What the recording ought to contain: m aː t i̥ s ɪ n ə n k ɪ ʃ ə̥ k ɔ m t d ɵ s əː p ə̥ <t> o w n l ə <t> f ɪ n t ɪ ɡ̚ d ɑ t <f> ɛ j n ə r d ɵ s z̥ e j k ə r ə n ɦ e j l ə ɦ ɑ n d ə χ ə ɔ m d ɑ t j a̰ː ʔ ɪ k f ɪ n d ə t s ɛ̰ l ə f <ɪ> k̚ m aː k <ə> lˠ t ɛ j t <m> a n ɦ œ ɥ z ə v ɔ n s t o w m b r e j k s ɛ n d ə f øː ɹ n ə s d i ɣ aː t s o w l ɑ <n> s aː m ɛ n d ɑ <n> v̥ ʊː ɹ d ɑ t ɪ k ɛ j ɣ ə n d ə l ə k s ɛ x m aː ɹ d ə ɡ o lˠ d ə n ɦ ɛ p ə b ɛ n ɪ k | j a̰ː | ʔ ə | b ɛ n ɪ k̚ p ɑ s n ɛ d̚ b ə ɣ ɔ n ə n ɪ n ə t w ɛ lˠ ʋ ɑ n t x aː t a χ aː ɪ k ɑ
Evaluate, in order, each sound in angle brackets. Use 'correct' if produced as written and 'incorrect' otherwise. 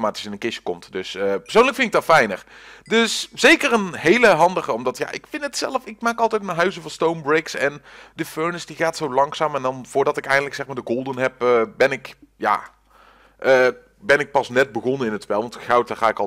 incorrect, incorrect, correct, correct, incorrect, correct, incorrect, correct

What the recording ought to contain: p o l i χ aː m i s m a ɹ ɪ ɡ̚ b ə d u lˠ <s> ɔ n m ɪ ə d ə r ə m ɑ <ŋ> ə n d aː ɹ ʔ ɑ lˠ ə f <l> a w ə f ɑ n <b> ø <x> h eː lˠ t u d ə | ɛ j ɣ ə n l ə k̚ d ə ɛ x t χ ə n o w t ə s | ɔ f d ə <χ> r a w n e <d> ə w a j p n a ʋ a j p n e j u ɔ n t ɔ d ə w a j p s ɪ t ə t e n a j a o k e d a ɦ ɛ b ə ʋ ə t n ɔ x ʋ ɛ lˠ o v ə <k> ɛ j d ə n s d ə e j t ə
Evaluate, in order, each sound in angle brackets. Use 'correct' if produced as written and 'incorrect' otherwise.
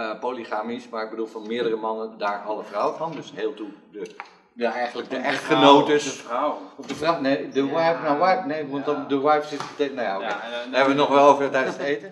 incorrect, incorrect, incorrect, incorrect, incorrect, incorrect, correct, incorrect

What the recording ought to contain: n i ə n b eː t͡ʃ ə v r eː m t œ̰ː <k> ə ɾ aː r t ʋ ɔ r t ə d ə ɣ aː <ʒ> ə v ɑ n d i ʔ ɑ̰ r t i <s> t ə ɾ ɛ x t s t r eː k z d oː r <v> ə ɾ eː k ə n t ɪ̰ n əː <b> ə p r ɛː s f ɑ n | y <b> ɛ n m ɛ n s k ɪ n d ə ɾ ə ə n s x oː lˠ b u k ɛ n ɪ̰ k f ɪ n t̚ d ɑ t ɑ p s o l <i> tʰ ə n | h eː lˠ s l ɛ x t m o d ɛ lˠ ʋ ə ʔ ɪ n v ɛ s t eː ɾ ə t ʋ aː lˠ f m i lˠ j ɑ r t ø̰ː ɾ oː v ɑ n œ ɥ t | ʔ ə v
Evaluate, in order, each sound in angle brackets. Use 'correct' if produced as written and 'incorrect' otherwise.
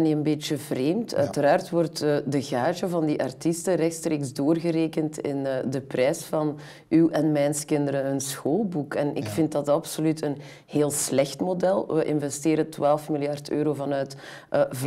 incorrect, correct, correct, incorrect, incorrect, incorrect, incorrect

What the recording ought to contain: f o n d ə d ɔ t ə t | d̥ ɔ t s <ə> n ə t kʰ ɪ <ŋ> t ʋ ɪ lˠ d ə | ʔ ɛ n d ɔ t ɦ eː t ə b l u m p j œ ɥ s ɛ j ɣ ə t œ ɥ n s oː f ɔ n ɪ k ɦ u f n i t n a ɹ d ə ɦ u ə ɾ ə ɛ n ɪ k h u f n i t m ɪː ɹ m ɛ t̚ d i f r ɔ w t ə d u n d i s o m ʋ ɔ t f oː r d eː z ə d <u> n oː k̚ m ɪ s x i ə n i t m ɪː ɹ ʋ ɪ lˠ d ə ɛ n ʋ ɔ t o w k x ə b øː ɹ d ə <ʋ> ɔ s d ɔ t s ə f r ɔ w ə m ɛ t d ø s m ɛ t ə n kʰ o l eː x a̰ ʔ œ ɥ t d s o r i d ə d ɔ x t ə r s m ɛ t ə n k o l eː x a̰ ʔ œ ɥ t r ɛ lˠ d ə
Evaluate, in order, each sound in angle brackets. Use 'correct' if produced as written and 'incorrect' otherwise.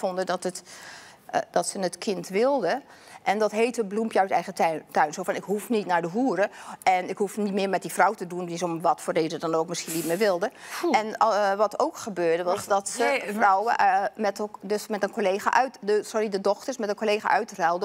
correct, incorrect, incorrect, correct

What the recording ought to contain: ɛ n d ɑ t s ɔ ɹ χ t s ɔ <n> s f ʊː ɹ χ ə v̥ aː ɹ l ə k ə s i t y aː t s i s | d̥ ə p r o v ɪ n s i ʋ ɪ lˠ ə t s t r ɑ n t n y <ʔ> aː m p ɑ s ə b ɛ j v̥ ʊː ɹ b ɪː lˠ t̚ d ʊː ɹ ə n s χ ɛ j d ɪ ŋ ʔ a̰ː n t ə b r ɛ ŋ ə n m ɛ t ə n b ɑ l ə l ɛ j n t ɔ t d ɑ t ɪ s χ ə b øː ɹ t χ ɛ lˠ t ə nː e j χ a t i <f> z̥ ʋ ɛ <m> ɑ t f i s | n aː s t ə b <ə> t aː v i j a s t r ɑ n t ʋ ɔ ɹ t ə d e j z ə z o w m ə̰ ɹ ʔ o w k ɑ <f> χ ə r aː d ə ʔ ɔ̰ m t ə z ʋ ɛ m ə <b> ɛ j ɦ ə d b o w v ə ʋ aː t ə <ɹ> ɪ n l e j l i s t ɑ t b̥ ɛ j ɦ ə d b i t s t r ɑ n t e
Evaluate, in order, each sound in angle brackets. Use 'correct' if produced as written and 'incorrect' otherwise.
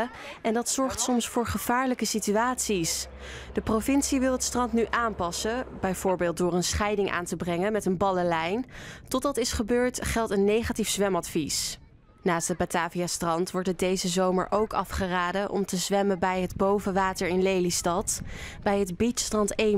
incorrect, correct, correct, correct, incorrect, correct, correct, correct

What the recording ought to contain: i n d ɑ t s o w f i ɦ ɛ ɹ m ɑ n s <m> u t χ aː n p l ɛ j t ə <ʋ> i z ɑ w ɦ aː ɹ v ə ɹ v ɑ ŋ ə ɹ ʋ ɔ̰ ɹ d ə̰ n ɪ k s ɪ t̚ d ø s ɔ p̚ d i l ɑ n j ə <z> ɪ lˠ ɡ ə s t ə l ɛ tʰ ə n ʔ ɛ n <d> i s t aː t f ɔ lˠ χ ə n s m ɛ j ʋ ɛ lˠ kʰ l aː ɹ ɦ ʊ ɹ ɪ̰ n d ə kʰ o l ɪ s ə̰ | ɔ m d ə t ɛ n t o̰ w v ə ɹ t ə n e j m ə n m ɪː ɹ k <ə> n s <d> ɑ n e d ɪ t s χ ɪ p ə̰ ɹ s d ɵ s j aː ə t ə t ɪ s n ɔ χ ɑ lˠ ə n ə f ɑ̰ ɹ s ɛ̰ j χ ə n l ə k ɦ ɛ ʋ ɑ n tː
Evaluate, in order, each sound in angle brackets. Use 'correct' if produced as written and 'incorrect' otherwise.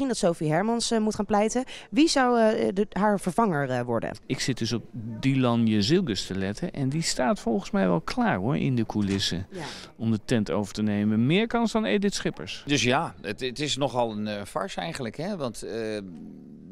correct, correct, correct, correct, incorrect, correct

